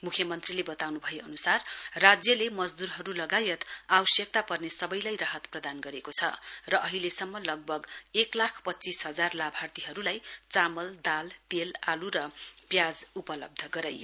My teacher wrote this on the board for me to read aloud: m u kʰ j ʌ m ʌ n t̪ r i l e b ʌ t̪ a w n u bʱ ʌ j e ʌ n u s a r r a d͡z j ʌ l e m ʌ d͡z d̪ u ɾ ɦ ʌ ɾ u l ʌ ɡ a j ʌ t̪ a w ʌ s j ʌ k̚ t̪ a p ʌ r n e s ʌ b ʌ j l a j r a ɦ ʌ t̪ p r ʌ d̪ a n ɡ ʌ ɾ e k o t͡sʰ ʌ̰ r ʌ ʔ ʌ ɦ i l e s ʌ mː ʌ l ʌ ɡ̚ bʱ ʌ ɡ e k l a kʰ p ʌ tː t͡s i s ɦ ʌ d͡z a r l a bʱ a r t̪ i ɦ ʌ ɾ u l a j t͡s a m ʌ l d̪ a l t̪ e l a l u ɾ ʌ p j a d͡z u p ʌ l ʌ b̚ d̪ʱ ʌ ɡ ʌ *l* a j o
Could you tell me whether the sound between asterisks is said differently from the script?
yes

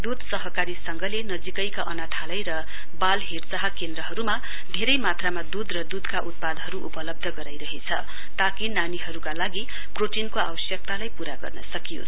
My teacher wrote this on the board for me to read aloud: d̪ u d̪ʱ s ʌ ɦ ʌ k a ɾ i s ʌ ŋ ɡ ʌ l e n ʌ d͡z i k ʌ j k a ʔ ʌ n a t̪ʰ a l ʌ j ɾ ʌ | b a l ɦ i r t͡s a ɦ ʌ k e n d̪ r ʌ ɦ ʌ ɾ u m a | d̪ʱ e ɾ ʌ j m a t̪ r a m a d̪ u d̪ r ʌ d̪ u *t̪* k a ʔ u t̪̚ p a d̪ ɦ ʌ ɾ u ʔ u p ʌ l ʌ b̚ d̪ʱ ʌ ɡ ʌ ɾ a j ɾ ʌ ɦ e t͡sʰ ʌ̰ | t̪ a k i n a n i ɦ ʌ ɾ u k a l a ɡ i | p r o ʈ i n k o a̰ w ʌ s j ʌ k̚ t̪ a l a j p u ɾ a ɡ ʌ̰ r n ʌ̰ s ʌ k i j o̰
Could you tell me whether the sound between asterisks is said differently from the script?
yes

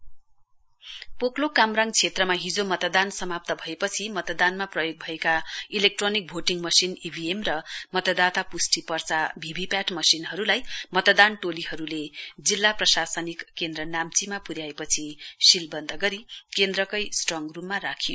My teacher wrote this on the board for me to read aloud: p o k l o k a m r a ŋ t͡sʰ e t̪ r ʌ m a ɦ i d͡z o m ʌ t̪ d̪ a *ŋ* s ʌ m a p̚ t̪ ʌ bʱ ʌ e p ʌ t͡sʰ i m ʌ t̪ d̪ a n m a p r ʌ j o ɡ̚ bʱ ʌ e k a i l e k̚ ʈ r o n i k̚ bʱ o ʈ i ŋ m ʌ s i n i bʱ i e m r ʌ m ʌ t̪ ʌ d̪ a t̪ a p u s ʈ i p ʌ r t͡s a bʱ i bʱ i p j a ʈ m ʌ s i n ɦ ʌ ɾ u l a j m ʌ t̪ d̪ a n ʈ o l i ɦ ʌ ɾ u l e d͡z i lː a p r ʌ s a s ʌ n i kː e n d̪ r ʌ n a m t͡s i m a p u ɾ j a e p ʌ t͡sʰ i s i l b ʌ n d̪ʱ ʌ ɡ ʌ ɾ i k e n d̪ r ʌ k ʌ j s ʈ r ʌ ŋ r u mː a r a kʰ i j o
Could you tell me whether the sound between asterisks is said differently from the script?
yes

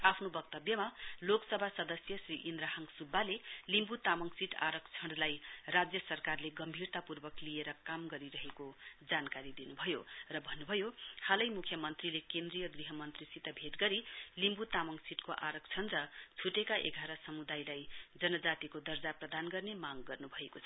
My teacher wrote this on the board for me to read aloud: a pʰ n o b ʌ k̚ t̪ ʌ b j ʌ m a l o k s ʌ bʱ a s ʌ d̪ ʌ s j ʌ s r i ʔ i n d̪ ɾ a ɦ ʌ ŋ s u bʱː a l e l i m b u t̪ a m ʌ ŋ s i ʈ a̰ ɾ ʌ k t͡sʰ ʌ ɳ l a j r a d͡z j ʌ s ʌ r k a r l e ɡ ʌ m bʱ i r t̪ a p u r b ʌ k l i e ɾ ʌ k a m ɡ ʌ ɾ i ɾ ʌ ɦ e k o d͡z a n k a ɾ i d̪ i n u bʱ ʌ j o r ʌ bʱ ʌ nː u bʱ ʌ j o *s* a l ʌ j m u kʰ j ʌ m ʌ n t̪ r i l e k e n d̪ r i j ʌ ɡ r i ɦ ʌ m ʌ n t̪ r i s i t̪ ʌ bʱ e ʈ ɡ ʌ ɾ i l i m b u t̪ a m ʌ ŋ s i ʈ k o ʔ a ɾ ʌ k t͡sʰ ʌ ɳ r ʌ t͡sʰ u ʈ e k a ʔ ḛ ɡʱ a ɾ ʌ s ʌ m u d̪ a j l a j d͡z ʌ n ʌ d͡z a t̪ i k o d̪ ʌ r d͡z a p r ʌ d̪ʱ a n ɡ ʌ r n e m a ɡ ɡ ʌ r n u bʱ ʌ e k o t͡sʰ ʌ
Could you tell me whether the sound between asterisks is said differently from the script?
yes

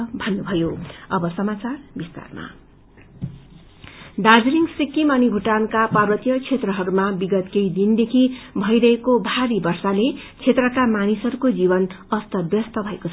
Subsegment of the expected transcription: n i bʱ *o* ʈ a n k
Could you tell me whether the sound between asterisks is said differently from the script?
yes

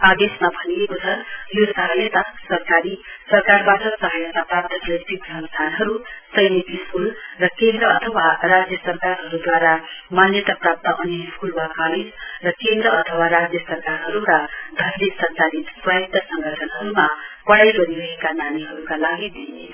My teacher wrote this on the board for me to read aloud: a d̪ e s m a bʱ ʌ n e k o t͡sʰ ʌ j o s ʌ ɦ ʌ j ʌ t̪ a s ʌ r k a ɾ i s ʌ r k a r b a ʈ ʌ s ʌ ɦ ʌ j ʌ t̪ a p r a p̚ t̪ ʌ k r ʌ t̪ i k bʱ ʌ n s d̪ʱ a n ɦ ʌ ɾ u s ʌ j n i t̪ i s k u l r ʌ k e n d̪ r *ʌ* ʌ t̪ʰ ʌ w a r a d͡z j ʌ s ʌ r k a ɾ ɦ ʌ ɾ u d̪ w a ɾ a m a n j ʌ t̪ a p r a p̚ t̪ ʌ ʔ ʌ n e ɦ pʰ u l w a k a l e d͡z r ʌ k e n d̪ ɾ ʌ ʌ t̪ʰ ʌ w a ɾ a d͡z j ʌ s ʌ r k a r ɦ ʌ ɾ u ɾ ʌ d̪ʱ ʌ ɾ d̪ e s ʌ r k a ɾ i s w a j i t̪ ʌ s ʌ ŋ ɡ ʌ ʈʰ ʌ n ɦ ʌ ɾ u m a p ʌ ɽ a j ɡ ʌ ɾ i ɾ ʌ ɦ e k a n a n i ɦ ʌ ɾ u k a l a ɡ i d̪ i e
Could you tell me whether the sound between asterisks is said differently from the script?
no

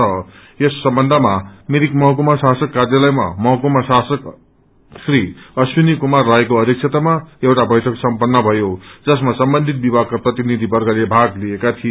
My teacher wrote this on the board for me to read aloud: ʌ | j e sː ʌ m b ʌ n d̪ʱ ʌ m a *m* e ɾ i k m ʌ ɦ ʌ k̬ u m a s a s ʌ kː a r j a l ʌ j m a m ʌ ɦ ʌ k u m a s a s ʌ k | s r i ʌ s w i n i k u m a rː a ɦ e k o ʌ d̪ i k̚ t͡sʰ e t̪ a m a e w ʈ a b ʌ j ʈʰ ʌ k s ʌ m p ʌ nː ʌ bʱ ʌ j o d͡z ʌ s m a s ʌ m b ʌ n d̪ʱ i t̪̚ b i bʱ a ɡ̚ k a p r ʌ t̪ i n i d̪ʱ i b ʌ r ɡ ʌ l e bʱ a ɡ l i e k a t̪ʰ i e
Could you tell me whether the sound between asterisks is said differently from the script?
no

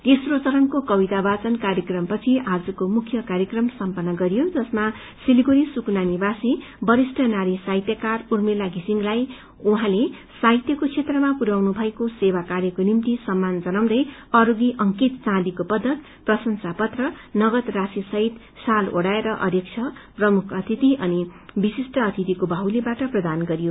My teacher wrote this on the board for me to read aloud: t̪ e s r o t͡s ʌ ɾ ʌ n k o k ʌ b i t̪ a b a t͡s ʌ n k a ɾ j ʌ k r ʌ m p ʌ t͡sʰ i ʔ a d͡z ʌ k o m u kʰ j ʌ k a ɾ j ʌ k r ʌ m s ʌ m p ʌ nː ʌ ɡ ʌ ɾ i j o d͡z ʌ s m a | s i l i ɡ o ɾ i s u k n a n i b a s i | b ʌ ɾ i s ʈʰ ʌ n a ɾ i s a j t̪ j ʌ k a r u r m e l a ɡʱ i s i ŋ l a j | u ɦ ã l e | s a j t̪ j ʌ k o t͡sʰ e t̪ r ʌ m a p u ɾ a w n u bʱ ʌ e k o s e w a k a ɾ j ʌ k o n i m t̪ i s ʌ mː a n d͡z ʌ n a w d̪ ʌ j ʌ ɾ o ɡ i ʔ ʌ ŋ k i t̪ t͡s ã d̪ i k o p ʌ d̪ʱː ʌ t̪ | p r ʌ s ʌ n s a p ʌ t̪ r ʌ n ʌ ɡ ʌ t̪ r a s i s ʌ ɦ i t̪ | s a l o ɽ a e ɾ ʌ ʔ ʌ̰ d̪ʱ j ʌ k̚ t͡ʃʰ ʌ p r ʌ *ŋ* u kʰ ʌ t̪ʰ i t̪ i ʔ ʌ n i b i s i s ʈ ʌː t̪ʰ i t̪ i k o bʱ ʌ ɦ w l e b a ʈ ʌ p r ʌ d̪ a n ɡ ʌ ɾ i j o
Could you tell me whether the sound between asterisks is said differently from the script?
yes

